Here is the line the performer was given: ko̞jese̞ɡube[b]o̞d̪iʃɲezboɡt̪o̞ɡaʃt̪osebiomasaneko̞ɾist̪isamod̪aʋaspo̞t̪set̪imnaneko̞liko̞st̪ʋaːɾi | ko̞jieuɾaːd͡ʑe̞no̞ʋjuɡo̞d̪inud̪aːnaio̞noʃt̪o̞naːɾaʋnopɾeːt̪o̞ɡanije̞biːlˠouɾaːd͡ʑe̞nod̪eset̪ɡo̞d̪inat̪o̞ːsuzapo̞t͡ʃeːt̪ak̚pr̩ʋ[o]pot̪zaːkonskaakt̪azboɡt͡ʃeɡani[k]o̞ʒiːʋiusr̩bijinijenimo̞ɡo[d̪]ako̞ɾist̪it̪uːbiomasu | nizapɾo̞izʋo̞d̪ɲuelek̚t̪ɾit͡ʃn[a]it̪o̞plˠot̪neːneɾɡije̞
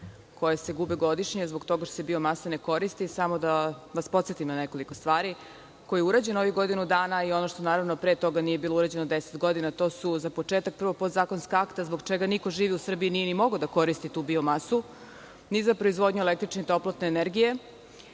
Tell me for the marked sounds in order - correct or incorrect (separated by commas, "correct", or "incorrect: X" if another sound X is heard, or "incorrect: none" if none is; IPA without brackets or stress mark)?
incorrect: ɡ, correct, correct, correct, incorrect: e